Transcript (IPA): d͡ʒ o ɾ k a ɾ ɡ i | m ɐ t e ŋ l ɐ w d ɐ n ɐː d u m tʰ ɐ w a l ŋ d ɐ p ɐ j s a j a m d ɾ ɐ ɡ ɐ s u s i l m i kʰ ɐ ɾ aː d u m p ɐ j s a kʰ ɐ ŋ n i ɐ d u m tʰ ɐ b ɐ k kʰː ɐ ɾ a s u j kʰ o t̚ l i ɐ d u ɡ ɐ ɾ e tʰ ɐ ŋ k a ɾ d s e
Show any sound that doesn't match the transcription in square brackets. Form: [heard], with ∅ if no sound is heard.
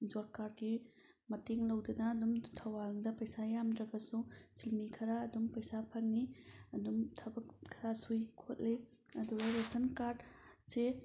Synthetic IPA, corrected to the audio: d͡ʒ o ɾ k a ɾ ɡ i | m ɐ t e ŋ l ɐ w d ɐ n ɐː d u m tʰ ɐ w a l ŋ d ɐ p ɐ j s a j a m d ɾ ɐ ɡ ɐ s u s i l m i kʰ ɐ ɾ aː d u m p ɐ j s a [pʰ] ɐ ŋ n i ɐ d u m tʰ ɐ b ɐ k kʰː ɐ ɾ a s u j kʰ o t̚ l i ɐ d u ɡ ɐ ɾ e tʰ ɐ [n] k a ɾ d s e